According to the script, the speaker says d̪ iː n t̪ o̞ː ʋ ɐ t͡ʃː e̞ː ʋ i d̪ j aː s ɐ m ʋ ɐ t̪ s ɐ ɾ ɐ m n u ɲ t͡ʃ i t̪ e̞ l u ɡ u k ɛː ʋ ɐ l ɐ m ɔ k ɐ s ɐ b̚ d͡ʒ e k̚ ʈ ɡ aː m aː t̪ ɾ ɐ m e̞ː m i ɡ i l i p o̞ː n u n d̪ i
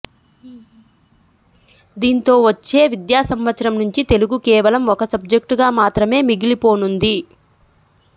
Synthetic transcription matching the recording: d̪ iː n t̪ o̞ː ʋ ɐ t͡ʃː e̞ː ʋ i d̪ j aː s ɐ m ʋ ɐ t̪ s ɐ ɾ ɐ m n u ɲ t͡ʃ i t̪ e̞ l u ɡ u k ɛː ʋ ɐ l ɐ m ɔ k ɐ s ɐ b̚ d͡ʒ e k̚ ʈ ɡ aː m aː t̪ ɾ ɐ m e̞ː m i ɡ i l i p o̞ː n u n d̪ i